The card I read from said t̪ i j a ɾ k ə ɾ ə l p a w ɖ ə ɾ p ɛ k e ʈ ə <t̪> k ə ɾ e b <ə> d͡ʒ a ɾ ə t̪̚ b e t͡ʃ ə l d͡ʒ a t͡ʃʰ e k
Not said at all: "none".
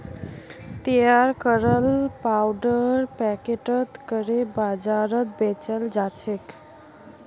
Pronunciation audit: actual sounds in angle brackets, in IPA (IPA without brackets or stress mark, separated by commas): t̪, a